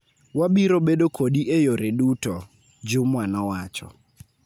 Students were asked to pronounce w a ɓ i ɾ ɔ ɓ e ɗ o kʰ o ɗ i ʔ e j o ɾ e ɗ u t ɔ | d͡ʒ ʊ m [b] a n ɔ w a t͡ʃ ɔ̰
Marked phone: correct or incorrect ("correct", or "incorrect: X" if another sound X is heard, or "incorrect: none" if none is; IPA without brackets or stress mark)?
incorrect: w